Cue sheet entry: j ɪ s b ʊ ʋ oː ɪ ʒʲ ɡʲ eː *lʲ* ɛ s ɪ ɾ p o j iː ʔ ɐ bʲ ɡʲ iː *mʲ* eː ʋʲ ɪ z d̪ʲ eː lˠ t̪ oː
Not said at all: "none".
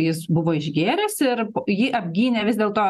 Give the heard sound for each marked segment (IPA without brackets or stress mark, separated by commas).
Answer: ɾʲ, nʲ